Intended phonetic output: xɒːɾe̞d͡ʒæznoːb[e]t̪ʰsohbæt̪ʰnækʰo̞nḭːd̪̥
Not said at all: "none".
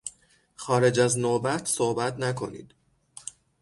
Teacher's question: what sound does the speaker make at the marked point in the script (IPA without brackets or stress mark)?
æ